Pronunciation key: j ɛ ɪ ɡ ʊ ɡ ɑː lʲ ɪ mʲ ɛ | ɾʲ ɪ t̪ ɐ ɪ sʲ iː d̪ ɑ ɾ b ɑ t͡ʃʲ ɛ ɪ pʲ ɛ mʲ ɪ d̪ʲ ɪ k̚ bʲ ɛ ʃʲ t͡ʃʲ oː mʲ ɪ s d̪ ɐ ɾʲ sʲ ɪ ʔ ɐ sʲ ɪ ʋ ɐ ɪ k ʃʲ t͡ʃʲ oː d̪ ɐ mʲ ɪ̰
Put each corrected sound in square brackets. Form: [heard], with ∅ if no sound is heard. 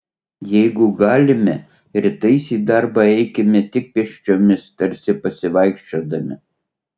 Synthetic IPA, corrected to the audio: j ɛ ɪ ɡ ʊ ɡ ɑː lʲ ɪ mʲ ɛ | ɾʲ ɪ t̪ ɐ ɪ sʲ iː d̪ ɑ ɾ b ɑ [∅] ɛ ɪ [kʲ] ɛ mʲ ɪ [t̪ʲ] ɪ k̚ [pʲ] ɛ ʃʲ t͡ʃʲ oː mʲ ɪ s [t̪] ɐ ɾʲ sʲ ɪ [p] ɐ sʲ ɪ ʋ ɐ ɪ k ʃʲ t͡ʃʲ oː d̪ ɐ mʲ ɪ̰